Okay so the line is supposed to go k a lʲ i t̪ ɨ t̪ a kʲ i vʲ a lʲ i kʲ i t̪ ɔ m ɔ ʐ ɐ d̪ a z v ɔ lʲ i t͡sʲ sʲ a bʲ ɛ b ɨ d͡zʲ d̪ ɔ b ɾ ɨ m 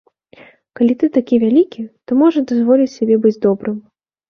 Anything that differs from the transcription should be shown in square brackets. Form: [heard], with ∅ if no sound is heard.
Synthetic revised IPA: k a lʲ i t̪ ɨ t̪ a kʲ i vʲ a lʲ i kʲ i t̪ ɔ m ɔ ʐ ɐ d̪ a z v ɔ lʲ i t͡sʲ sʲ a bʲ ɛ b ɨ d͡zʲ d̪ ɔ b ɾ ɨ m

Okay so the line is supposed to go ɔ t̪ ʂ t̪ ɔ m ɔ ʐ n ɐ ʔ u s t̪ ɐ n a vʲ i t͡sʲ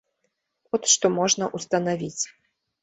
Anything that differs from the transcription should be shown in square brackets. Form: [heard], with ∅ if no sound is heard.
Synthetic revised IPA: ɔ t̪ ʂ t̪ ɔ m ɔ ʐ n ɐ ʔ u s t̪ ɐ n a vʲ i t͡sʲ

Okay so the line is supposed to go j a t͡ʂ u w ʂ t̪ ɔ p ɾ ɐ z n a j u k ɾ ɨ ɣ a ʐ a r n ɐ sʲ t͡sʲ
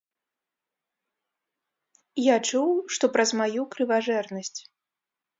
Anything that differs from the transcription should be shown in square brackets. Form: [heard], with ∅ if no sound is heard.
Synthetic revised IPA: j a t͡ʂ u w ʂ t̪ ɔ p ɾ ɐ z [m] a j u k ɾ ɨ [v] a ʐ [ɛ] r n ɐ sʲ t͡sʲ

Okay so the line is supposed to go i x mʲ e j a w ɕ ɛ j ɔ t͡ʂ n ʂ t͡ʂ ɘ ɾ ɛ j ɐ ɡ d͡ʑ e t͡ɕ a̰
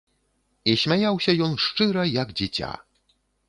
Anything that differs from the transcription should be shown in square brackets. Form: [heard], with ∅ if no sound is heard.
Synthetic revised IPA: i [ɕ] mʲ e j a w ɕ ɛ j ɔ [∅] n ʂ t͡ʂ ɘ ɾ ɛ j [a] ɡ d͡ʑ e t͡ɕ a̰

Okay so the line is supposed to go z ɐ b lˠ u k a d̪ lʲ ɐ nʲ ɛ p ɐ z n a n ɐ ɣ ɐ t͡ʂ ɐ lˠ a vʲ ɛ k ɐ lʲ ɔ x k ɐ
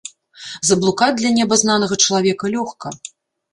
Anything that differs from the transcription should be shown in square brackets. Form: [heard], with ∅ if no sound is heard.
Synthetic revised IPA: z ɐ b lˠ u k a d̪ lʲ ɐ nʲ ɛ [b] ɐ z n a n ɐ ɣ ɐ t͡ʂ ɐ lˠ a vʲ ɛ k ɐ lʲ ɔ x k ɐ

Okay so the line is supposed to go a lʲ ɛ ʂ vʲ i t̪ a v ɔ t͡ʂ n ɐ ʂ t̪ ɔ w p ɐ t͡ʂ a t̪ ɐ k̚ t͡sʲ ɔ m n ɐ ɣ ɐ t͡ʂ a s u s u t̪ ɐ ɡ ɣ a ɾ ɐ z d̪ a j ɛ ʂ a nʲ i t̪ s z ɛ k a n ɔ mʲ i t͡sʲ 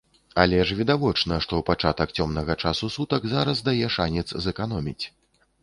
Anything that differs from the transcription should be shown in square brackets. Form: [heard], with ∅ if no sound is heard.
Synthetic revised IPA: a lʲ ɛ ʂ vʲ i [d̪] a v ɔ t͡ʂ n ɐ ʂ t̪ ɔ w p [a] t͡ʂ a t̪ ɐ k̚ t͡sʲ ɔ m n ɐ ɣ ɐ t͡ʂ a s u s u t̪ ɐ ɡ [z] a ɾ ɐ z d̪ a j ɛ ʂ a nʲ [ɛ] t̪ s z ɛ k a n ɔ mʲ i t͡sʲ

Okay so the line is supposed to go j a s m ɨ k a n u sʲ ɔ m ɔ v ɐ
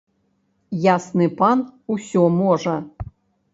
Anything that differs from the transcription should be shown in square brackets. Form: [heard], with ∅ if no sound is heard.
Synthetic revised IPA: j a s [n] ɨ [p] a n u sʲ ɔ m ɔ [ʐ] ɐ

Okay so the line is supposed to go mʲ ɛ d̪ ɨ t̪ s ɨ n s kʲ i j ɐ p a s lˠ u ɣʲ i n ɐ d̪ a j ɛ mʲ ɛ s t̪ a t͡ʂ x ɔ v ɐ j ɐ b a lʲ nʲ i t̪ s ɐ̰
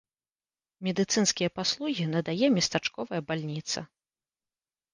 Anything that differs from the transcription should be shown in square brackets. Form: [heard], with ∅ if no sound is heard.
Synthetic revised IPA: mʲ ɛ d̪ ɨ t̪ s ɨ n s kʲ i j ɐ p a s lˠ u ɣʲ i n ɐ d̪ a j ɛ mʲ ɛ s t̪ a t͡ʂ [k] ɔ v ɐ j ɐ b a lʲ nʲ i t̪ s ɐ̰

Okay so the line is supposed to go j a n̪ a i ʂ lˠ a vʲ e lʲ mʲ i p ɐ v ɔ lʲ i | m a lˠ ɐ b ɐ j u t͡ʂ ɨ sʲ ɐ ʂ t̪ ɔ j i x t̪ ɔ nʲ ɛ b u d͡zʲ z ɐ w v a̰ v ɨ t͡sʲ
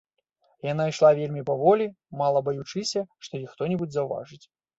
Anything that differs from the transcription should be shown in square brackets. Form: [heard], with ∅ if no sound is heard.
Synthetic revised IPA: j a n̪ a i ʂ lˠ a vʲ e lʲ mʲ i p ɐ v ɔ lʲ i | m a lˠ ɐ b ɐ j u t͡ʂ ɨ sʲ ɐ ʂ t̪ ɔ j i x t̪ ɔ nʲ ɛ b u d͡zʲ z ɐ w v a̰ [ʐ] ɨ t͡sʲ

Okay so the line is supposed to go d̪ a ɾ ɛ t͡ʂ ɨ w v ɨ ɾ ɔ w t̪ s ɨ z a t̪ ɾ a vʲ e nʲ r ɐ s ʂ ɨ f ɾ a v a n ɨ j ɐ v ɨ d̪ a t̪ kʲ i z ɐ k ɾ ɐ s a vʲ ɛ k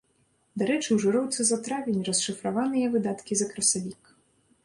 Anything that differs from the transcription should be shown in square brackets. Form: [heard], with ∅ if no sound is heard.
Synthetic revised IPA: d̪ a ɾ ɛ t͡ʂ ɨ w [ʐ] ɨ ɾ ɔ w t̪ s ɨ z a t̪ ɾ a vʲ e nʲ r ɐ s ʂ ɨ f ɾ a v a n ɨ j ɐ v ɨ d̪ a t̪ kʲ i z ɐ k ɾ ɐ s a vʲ [i] k

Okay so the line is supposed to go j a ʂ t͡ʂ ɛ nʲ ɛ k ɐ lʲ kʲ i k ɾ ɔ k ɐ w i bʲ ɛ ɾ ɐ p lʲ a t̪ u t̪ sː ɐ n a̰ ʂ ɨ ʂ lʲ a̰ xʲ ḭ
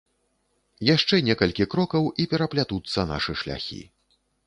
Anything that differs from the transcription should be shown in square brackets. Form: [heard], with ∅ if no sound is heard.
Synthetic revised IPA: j a ʂ t͡ʂ ɛ nʲ ɛ k ɐ lʲ kʲ i k ɾ ɔ k ɐ w i [pʲ] ɛ ɾ ɐ p lʲ a t̪ u t̪ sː ɐ n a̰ ʂ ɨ ʂ lʲ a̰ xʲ ḭ

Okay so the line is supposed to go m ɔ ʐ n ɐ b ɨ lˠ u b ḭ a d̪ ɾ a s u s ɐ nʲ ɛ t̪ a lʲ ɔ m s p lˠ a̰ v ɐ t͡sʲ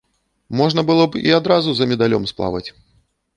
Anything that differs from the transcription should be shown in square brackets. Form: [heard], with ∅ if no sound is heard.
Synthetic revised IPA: m ɔ ʐ n ɐ b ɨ lˠ [ɔ] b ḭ a d̪ ɾ a [z] u [z] ɐ [mʲ] ɛ [d̪] a lʲ ɔ m s p lˠ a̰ v ɐ t͡sʲ

